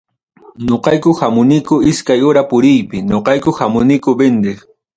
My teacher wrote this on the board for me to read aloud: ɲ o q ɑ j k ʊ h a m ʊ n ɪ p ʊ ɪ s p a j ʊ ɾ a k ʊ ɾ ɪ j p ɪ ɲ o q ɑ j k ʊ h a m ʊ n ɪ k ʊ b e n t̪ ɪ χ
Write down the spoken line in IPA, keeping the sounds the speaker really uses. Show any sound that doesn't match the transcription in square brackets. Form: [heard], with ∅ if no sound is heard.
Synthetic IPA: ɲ o q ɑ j k ʊ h a m ʊ n ɪ [k] ʊ ɪ s [k] a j ʊ ɾ a [p] ʊ ɾ ɪ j p ɪ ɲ o q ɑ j k ʊ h a m ʊ n ɪ k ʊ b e n [d̪] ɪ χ